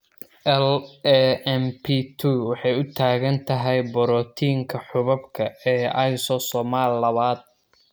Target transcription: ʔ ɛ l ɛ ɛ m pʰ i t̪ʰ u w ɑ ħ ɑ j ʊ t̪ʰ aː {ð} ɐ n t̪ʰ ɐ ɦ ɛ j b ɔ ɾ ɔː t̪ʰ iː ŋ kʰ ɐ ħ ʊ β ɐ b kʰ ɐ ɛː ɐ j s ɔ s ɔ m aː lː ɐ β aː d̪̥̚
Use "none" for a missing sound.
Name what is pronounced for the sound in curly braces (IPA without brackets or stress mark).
ɣ